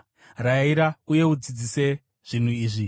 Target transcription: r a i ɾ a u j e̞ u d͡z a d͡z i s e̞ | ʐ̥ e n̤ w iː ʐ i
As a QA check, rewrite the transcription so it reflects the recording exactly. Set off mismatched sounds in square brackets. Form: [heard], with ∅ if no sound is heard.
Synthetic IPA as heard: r a i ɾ a u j e̞ u d͡z [i] d͡z i s e̞ | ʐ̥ [i] n̤ [u] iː ʐ i